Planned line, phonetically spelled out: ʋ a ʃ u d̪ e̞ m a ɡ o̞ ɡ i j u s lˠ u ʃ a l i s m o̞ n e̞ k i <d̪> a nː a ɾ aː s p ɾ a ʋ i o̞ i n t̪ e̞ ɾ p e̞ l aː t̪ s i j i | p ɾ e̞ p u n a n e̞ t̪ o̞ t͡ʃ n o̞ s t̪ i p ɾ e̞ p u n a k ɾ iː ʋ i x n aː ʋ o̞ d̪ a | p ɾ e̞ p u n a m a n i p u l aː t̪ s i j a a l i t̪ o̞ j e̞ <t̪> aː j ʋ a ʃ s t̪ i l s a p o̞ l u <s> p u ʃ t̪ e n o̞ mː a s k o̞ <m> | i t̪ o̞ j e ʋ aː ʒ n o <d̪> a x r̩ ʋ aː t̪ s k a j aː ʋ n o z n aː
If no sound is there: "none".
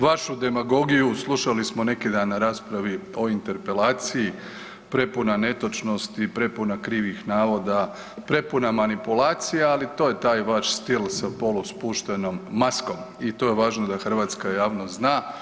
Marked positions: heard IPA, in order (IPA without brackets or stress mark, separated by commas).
d̪, t̪, s, m, d̪